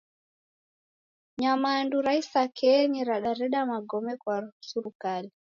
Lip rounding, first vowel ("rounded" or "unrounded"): unrounded